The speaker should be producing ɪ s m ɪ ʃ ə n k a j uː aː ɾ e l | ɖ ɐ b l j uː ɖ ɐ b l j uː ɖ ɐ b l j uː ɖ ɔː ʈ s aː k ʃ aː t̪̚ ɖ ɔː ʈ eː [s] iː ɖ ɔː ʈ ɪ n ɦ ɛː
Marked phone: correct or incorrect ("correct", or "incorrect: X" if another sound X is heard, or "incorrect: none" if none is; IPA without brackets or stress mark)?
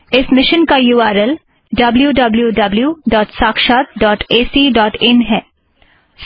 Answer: correct